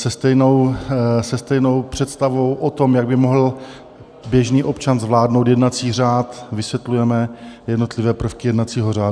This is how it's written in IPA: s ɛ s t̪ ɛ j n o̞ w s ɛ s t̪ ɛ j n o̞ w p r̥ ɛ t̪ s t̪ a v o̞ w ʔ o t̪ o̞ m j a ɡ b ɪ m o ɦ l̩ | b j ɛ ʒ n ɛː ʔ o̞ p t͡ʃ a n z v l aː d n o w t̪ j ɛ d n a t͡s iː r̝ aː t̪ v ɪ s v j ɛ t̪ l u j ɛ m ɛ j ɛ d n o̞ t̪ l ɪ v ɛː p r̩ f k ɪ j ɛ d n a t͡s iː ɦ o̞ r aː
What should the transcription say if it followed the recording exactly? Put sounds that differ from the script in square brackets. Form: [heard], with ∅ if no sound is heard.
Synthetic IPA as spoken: s ɛ s t̪ ɛ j n o̞ w s ɛ s t̪ ɛ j n o̞ w p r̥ ɛ t̪ s t̪ a v o̞ w ʔ o t̪ o̞ m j a ɡ b ɪ m o ɦ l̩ | b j ɛ ʒ n [iː] ʔ o̞ p t͡ʃ a n z v l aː d n o w t̪ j ɛ d n a t͡s iː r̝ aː t̪ v ɪ s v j ɛ t̪ l u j ɛ m ɛ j ɛ d n o̞ t̪ l ɪ v ɛː p r̩ f k ɪ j ɛ d n a t͡s iː ɦ o̞ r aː